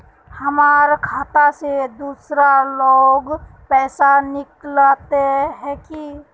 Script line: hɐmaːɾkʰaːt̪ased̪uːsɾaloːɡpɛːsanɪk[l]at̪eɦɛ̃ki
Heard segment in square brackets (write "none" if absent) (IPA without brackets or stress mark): l